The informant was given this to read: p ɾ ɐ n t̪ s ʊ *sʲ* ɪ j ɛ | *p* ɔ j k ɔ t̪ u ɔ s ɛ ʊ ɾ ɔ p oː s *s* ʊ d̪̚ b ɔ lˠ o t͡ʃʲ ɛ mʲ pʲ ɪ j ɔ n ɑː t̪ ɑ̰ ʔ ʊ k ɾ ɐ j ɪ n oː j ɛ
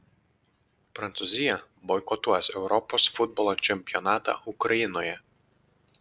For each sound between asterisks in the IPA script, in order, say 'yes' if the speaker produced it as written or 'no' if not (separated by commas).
no, no, no